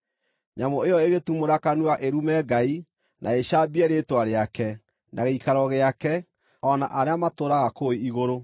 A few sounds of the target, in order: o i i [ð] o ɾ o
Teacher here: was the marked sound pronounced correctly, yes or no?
no